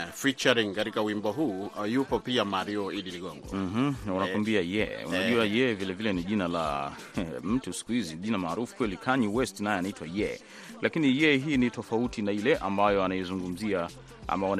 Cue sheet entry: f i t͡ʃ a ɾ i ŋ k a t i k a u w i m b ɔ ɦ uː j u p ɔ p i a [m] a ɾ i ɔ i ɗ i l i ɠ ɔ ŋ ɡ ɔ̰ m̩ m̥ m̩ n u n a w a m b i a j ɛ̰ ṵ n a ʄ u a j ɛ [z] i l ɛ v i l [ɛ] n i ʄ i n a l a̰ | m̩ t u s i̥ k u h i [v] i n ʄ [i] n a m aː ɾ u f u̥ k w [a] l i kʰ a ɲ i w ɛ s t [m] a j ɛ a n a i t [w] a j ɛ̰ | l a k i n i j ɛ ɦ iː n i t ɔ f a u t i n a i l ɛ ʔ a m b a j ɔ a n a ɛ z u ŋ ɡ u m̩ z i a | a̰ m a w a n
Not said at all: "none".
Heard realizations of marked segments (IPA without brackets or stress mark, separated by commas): m, v, ɛ, z, i, ɛ, n, w